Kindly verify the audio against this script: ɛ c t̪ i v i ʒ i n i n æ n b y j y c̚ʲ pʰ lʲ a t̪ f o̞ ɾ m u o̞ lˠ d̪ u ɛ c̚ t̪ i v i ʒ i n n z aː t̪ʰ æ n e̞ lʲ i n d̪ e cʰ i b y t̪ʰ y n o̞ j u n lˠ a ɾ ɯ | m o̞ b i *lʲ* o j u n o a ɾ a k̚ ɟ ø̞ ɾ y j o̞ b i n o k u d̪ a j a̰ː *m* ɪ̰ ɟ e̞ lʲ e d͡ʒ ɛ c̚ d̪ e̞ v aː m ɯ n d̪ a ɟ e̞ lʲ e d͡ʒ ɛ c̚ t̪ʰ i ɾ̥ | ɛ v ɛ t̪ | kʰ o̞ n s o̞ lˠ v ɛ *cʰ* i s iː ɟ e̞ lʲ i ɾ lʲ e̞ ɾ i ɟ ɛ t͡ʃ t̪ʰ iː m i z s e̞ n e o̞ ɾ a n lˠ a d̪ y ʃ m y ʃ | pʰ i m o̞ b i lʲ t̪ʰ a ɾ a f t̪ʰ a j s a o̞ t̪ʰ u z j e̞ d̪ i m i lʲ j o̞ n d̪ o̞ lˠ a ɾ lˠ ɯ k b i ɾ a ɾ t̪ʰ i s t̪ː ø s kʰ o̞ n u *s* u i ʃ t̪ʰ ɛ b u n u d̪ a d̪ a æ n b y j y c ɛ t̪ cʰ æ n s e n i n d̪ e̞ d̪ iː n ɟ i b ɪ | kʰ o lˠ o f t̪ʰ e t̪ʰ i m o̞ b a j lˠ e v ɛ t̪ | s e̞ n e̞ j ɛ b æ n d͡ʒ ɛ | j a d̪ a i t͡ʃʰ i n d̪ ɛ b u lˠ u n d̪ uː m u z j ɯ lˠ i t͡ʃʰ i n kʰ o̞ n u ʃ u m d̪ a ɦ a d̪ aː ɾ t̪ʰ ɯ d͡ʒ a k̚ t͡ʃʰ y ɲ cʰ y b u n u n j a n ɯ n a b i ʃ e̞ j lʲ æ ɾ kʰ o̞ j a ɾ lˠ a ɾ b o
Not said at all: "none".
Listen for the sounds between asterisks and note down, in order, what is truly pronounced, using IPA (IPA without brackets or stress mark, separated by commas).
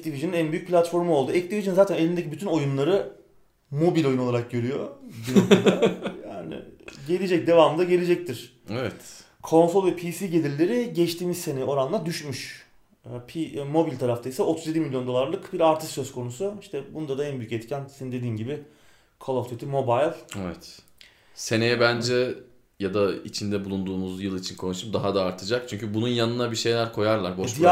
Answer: lʲ, n, pʰ, s